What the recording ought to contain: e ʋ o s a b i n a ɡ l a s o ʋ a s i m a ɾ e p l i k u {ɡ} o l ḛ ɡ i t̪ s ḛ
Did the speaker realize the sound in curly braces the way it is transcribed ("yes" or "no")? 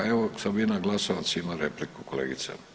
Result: no